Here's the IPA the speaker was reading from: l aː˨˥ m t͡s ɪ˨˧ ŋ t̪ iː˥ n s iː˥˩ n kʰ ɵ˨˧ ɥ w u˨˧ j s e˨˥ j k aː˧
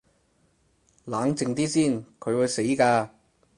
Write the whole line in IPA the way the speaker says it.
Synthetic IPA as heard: l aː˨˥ ŋ t͡s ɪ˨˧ ŋ t̪ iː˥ s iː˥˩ n kʰ ɵ˨˧ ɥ w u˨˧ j s e˨˥ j k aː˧